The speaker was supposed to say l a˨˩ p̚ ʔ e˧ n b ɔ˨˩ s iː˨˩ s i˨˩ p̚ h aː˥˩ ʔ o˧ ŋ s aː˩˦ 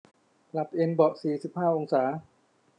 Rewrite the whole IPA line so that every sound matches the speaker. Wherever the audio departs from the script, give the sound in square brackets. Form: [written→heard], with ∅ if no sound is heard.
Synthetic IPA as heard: l a˨˩ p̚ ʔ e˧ n b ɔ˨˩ s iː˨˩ s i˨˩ p̚ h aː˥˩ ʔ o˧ ŋ s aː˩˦